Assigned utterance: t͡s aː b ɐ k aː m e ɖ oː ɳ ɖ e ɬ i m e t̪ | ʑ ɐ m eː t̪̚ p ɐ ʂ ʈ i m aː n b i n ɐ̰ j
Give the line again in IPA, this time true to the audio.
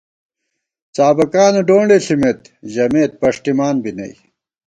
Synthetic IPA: t͡s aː b ɐ k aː n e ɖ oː ɳ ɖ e ɬ i m e t̪ | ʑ ɐ m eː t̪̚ p ɐ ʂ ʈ i m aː n b i n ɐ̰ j